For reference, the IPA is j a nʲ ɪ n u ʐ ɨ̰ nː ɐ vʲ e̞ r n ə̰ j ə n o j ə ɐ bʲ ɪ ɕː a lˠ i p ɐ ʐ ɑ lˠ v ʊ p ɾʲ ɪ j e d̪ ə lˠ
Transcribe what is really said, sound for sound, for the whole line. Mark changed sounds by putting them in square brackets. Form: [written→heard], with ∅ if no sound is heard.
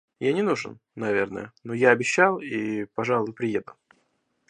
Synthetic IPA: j a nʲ ɪ n u ʐ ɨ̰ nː ɐ vʲ e̞ r n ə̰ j ə n o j [ə→a] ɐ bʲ ɪ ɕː a lˠ i p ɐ ʐ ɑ lˠ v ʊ p ɾʲ ɪ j e d̪ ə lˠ